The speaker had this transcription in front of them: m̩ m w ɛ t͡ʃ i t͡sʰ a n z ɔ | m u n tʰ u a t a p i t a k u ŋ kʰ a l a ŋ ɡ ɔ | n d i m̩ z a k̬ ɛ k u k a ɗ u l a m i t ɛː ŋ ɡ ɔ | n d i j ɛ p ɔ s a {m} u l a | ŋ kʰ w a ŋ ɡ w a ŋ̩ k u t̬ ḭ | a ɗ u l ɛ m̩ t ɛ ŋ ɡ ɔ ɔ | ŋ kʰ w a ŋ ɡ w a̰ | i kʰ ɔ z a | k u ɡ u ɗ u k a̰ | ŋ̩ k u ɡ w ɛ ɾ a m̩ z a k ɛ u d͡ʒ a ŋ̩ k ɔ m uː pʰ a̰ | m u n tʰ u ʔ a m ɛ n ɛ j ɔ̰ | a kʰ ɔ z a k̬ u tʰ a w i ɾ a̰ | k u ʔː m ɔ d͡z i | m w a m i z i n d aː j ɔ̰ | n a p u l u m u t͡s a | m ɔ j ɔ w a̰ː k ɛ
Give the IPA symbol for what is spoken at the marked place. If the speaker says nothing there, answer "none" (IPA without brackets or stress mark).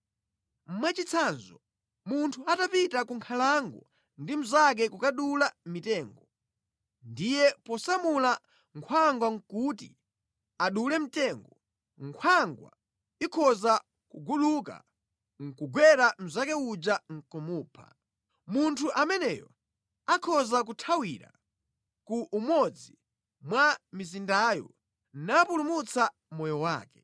m